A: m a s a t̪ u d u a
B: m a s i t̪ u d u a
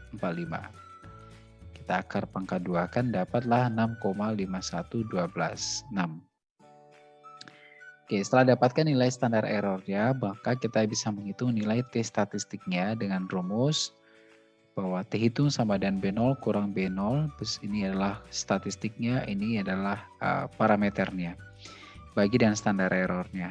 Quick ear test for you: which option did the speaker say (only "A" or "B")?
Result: A